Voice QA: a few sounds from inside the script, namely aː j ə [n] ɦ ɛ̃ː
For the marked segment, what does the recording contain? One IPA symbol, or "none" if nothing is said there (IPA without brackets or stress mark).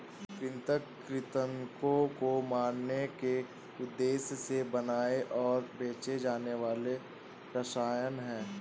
n